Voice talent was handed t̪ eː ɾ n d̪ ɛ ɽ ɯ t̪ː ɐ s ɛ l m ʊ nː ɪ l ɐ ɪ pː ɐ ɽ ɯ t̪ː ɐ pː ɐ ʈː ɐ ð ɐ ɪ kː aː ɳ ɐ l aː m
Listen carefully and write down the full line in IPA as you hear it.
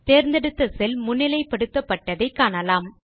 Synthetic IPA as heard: t̪ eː ɾ n d̪ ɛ ɽ ɯ t̪ː ɐ s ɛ l m ʊ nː ɪ l ɐ ɪ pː ɐ ɽ ɯ t̪ː ɐ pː ɐ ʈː ɐ ð ɐ ɪ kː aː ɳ ɐ l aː m